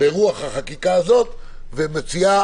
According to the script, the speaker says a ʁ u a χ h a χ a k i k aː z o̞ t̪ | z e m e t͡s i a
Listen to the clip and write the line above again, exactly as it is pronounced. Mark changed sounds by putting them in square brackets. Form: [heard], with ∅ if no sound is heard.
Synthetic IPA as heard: [e] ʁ u a χ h a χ a k i k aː z o̞ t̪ | [v] e m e t͡s i a